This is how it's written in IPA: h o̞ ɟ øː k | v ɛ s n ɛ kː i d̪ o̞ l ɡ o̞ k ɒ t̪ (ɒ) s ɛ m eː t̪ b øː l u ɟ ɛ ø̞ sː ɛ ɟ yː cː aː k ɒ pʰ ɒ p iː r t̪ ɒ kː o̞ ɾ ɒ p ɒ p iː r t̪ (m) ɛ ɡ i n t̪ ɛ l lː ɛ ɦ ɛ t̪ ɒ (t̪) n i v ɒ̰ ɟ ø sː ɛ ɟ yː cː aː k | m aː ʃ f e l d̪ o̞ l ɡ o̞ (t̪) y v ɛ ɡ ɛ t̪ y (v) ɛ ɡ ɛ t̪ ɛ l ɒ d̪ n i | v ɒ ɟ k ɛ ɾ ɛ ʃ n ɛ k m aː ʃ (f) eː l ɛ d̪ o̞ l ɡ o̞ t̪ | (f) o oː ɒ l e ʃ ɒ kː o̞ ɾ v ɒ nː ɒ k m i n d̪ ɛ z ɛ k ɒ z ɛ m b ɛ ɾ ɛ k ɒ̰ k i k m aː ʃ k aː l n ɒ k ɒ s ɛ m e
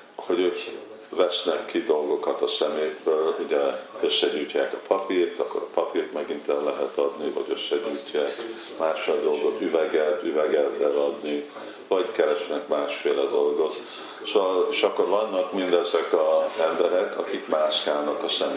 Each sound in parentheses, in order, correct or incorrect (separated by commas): correct, correct, incorrect, correct, correct, correct, incorrect